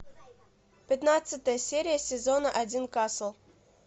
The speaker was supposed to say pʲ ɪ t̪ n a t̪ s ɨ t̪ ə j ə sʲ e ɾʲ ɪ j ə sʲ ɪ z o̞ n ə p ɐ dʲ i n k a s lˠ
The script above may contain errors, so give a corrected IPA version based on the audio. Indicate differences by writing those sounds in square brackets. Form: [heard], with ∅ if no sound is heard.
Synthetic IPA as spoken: pʲ ɪ t̪ n a t̪ s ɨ t̪ ə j ə sʲ e ɾʲ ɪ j ə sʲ ɪ z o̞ n ə [ʔ] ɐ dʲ i n k a s lˠ